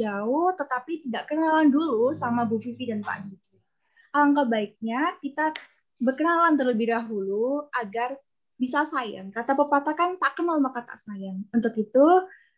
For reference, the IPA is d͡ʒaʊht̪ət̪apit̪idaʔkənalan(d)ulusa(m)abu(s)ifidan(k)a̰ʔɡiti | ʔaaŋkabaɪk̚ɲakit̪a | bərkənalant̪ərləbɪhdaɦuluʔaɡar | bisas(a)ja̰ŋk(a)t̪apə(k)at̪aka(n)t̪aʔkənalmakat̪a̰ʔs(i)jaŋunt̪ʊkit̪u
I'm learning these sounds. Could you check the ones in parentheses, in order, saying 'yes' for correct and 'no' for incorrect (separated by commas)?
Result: yes, yes, no, no, yes, yes, no, yes, no